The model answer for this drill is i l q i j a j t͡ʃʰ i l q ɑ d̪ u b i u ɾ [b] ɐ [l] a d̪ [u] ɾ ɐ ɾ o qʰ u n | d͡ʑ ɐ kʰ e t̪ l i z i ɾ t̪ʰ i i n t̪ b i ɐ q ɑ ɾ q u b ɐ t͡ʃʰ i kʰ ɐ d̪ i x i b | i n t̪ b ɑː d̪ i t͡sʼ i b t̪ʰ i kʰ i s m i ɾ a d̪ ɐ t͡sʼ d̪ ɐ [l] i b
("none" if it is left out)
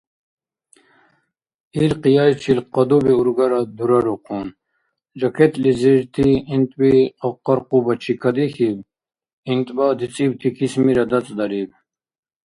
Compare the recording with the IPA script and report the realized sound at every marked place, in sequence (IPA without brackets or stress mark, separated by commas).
ɡ, ɾ, u, ɾ